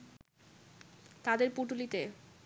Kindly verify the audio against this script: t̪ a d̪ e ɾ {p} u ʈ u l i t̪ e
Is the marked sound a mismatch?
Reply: no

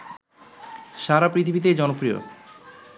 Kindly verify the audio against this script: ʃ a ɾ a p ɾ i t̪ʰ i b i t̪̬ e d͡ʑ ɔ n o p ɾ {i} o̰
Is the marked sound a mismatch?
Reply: no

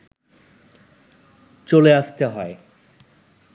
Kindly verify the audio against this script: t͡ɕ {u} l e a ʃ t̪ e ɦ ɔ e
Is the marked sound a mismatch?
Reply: yes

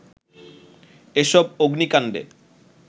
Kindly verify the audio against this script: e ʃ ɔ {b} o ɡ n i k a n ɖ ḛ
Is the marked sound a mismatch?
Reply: no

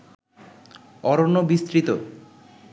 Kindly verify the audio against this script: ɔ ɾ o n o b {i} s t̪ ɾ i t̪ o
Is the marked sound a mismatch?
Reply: no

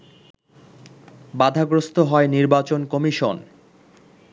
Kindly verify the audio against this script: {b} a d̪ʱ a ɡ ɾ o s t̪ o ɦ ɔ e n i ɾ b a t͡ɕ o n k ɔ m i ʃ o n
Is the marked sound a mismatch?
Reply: no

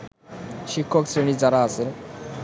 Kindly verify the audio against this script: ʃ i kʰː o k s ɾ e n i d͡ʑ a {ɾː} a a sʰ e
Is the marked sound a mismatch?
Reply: yes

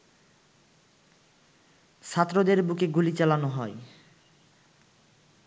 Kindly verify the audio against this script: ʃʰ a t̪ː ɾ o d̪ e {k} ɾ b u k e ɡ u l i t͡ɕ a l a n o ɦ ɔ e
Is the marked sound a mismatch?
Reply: yes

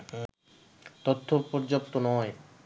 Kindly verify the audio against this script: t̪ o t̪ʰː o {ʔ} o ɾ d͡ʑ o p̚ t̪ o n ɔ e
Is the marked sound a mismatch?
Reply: yes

